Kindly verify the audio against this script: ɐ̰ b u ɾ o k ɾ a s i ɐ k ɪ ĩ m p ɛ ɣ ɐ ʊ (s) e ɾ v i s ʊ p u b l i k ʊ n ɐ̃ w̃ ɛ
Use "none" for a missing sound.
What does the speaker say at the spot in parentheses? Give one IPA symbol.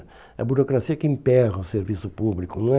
s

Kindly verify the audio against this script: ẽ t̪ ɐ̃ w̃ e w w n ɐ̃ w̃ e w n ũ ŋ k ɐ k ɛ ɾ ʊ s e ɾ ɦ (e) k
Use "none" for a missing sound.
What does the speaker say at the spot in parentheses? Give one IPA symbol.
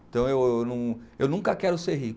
i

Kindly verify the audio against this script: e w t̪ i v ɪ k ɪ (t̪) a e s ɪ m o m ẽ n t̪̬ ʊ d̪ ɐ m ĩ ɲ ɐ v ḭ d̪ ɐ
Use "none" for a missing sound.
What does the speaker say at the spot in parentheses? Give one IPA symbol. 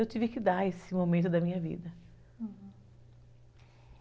d̪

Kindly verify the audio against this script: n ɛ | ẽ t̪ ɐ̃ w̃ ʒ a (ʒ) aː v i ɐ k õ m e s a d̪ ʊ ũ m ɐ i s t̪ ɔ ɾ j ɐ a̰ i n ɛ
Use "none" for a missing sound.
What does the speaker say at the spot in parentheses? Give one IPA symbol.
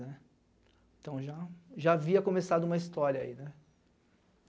ʒ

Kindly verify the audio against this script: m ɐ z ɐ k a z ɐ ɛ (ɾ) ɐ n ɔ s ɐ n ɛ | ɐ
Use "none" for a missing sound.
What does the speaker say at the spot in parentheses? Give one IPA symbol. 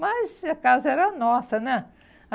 ɾ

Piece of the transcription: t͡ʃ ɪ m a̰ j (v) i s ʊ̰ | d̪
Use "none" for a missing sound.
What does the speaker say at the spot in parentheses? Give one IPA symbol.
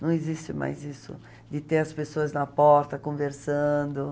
z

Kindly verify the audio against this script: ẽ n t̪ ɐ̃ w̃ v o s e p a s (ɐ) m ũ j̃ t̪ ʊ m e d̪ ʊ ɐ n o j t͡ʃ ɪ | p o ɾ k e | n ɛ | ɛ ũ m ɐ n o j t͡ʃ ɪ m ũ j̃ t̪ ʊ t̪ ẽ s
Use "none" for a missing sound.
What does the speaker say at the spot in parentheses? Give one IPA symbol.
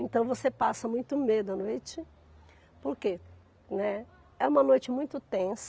ɐ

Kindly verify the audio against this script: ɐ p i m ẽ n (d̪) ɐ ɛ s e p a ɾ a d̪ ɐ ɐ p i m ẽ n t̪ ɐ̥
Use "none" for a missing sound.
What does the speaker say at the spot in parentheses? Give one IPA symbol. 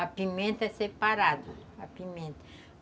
t̪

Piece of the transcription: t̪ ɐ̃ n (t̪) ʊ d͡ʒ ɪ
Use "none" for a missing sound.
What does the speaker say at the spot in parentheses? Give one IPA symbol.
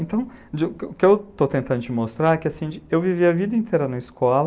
d̪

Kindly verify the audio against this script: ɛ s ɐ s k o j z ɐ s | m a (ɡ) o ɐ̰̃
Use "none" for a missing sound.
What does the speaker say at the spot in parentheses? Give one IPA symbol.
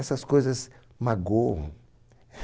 ɡ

